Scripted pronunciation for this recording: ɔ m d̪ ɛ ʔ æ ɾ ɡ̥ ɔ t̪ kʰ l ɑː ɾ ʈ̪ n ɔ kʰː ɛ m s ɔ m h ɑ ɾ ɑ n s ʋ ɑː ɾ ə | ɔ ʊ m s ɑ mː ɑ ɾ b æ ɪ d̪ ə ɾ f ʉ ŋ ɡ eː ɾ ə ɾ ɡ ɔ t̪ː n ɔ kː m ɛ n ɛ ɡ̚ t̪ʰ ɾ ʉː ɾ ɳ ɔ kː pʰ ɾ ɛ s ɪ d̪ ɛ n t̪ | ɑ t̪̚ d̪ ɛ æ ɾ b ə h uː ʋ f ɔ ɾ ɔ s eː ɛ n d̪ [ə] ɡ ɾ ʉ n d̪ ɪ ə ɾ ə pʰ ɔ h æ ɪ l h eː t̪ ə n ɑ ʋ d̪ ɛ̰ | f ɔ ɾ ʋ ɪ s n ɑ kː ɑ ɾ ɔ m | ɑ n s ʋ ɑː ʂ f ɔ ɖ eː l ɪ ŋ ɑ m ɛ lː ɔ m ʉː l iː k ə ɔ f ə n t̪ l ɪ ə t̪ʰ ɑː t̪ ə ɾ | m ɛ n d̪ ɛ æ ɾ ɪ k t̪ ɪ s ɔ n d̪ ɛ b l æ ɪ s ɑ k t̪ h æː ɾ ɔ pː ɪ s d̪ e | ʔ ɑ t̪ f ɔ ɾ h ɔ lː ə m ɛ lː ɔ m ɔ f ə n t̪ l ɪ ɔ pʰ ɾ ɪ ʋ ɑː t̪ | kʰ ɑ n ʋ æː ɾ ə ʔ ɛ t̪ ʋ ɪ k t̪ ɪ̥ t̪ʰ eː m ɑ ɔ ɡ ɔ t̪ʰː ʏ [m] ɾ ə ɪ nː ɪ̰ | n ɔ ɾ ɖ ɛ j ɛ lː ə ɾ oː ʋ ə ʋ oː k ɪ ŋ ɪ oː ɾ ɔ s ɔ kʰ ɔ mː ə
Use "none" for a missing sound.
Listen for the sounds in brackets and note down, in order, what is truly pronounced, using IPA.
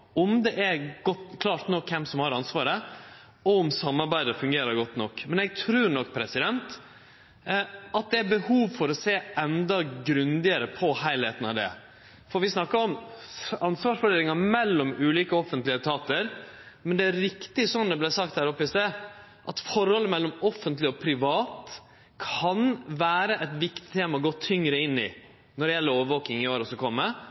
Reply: ɑ, ŋ

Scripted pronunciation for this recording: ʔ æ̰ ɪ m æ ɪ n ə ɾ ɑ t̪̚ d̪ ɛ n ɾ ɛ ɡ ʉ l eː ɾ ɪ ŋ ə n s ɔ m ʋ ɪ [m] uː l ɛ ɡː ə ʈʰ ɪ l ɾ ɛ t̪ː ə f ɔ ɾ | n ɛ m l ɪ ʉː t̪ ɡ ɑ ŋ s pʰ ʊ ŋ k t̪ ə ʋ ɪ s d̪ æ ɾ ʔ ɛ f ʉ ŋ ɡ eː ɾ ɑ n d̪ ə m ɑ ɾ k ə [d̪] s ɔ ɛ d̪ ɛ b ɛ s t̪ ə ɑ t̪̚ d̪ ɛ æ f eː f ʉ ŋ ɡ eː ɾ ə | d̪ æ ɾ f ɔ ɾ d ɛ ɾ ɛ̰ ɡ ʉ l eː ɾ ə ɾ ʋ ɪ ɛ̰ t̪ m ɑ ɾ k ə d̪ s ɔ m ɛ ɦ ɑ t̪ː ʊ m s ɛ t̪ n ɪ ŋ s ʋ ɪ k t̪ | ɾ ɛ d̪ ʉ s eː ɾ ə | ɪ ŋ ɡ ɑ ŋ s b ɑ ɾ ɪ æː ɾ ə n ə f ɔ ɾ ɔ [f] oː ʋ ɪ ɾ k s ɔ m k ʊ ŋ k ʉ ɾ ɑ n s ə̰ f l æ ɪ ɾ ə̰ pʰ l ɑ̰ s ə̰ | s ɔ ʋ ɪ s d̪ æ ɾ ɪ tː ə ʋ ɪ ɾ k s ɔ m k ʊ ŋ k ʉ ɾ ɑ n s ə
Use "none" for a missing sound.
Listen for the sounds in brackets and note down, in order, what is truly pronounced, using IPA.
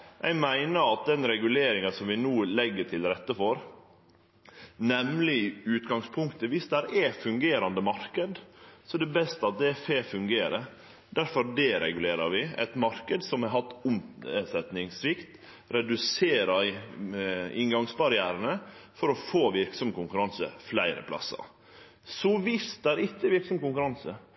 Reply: n, d̪, f

